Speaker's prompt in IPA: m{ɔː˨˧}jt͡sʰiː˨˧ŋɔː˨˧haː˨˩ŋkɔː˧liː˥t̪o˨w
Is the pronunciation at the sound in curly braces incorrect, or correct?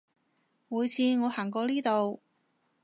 incorrect: uː˨˧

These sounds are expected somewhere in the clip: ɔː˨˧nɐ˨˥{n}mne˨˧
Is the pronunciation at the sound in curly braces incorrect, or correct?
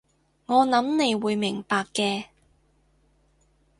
incorrect: none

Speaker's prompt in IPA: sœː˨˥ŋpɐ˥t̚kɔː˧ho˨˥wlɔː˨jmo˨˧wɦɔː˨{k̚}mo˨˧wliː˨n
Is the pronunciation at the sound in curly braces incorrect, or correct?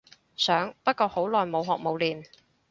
correct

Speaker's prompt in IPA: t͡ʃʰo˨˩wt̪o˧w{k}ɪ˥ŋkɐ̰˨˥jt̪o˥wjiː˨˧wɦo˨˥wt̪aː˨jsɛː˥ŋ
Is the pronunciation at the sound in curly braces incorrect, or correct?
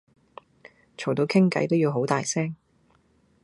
incorrect: kʰ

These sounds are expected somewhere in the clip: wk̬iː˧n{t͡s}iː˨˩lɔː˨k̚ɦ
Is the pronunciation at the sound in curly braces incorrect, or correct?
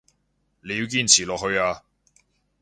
incorrect: t͡sʰ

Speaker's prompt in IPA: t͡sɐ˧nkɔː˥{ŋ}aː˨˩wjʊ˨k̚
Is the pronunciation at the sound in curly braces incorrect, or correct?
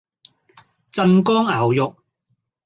correct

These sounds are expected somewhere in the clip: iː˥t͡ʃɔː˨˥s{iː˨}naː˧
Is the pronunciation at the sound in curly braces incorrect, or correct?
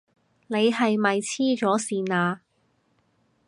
correct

